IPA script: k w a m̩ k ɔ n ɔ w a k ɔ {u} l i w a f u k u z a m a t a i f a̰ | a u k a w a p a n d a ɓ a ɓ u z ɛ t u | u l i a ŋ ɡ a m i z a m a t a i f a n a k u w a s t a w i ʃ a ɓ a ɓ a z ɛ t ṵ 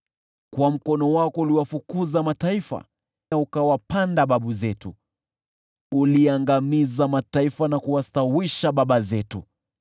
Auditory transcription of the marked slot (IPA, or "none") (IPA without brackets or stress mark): u